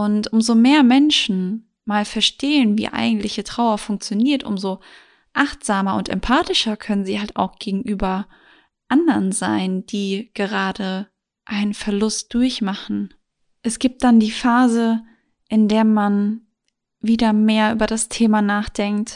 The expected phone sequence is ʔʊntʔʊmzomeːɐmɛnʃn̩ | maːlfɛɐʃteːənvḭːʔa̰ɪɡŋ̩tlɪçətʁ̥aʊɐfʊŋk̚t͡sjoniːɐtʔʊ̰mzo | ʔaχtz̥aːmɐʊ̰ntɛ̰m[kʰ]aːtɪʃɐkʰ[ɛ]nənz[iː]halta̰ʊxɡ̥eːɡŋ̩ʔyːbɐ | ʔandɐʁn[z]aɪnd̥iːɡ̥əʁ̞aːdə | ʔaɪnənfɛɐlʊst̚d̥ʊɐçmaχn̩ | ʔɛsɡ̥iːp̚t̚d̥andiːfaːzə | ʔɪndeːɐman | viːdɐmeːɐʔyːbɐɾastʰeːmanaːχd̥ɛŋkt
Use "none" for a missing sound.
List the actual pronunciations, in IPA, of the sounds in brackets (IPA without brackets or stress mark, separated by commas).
pʰ, œ, iː, z